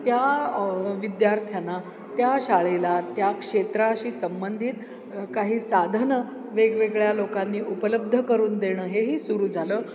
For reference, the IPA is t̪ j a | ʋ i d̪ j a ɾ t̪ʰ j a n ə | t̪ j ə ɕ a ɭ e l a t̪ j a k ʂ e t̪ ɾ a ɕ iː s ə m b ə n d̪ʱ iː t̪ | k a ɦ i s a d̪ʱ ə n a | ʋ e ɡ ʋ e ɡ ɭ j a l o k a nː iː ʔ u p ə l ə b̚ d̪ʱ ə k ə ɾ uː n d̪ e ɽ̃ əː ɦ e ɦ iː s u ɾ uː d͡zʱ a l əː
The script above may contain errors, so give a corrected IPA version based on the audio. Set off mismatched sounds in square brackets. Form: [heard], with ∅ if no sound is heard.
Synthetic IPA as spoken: t̪ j a | ʋ i d̪ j a ɾ t̪ʰ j a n [a] | t̪ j [a] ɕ a ɭ e l a t̪ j a k ʂ e t̪ ɾ a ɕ iː s ə m b ə n d̪ʱ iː t̪ | k a ɦ [iː] s a d̪ʱ ə n [ə] | ʋ e ɡ ʋ e ɡ ɭ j a l o k a nː iː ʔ u p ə l ə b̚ d̪ʱ ə k ə ɾ uː n d̪ e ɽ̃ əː ɦ e ɦ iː s u ɾ uː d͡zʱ a l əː